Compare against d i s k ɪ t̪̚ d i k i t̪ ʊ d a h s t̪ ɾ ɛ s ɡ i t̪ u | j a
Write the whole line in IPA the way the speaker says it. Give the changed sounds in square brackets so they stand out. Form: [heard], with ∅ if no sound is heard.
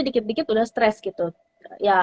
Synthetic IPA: d i [∅] k ɪ t̪̚ d i k [ɪ] t̪ [u] d a h s t̪ ɾ ɛ s ɡ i t̪ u | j a